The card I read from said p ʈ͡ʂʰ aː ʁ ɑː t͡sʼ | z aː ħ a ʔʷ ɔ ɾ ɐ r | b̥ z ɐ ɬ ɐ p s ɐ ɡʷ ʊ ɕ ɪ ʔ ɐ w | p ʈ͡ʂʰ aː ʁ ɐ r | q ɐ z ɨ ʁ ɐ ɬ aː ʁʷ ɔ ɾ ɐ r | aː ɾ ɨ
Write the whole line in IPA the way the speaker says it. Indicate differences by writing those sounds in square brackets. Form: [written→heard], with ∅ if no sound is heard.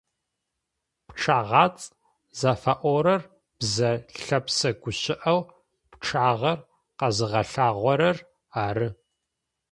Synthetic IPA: p ʈ͡ʂʰ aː ʁ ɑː t͡sʼ | z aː [ħ→f] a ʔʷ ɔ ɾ ɐ r | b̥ z ɐ ɬ ɐ p s ɐ ɡʷ ʊ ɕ ɪ ʔ ɐ w | p ʈ͡ʂʰ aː ʁ ɐ r | q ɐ z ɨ ʁ ɐ ɬ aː ʁʷ ɔ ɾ ɐ r | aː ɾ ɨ